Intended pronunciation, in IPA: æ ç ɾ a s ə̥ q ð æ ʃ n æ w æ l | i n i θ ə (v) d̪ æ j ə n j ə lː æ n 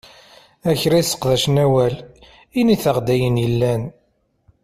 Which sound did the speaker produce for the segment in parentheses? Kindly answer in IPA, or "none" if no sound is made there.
ʁ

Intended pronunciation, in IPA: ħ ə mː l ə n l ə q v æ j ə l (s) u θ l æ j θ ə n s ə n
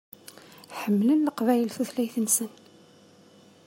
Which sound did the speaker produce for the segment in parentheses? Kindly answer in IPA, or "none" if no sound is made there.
θ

